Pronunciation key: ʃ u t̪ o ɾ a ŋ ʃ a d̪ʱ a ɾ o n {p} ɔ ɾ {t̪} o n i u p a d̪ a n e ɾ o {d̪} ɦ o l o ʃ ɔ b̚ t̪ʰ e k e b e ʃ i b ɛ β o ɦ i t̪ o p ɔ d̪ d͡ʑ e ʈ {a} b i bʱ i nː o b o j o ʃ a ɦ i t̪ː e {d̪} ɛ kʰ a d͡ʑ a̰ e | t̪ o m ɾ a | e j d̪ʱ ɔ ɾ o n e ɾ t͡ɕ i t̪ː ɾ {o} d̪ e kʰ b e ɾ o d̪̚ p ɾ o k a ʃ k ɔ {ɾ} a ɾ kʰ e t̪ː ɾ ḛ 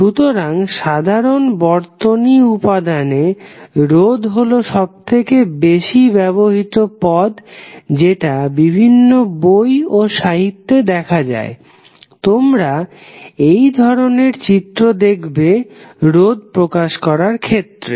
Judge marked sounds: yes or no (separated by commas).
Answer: no, yes, yes, yes, yes, yes, yes